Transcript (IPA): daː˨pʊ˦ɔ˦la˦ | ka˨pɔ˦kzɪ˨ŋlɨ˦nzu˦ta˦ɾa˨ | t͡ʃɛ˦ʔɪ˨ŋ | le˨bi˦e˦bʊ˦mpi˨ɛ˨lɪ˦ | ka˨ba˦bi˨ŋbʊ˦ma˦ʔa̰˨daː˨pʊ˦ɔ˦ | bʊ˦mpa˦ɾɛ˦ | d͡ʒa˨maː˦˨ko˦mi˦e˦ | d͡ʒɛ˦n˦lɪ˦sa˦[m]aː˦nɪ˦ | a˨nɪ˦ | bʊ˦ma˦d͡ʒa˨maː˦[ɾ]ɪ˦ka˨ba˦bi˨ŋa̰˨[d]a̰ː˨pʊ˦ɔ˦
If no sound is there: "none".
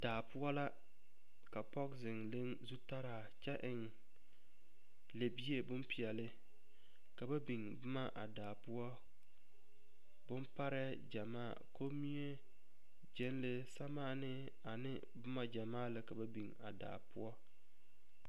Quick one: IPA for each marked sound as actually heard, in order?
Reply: m, l, d

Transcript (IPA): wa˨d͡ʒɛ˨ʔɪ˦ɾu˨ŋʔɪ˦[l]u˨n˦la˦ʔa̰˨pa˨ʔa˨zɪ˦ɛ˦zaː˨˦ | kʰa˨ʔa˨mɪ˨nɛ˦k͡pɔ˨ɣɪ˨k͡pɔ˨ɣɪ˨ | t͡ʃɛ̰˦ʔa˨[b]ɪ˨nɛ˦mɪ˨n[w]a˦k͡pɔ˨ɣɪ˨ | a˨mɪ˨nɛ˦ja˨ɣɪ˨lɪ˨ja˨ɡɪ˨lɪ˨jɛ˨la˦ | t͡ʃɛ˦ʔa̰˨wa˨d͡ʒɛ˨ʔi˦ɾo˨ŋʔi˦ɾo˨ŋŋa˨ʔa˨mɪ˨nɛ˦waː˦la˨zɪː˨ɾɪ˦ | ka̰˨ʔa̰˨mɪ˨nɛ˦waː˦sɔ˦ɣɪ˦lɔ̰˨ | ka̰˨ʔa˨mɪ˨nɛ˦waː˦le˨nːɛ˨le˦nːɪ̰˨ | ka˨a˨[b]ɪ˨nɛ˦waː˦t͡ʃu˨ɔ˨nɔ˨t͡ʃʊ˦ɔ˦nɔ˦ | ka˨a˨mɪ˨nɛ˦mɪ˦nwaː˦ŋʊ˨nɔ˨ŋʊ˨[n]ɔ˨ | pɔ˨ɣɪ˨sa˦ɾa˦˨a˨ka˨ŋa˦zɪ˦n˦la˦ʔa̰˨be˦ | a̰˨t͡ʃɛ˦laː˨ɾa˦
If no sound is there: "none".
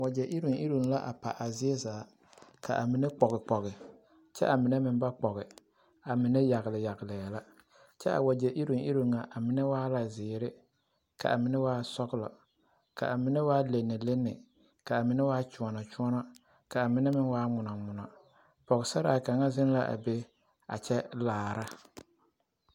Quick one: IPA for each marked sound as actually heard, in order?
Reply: ɾ, m, b, m, n

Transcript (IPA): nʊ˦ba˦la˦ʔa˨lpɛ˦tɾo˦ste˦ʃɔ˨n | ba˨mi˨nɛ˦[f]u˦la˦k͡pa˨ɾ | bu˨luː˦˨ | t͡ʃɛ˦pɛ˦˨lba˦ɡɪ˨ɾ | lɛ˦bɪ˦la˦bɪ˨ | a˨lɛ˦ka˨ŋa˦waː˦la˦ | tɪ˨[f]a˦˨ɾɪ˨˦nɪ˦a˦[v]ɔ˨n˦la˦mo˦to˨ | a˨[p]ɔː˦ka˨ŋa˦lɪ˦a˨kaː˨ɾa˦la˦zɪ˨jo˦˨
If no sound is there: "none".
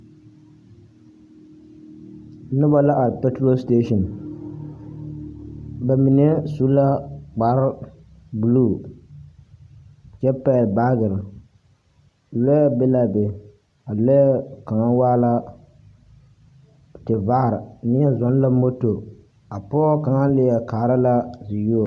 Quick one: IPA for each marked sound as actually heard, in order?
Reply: s, v, z, p

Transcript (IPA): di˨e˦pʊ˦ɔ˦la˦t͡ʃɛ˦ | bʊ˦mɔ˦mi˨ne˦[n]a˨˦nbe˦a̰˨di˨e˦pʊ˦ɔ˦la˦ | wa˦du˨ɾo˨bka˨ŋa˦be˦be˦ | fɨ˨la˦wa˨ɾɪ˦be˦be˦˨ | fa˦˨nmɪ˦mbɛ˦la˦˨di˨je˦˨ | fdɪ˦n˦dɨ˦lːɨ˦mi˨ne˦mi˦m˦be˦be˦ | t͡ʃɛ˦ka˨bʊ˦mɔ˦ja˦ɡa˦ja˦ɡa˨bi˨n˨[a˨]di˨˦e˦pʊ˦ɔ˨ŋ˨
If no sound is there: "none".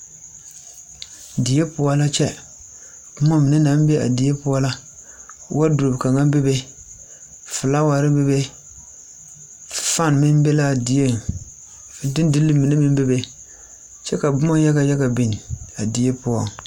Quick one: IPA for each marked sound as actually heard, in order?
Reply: n, a˨

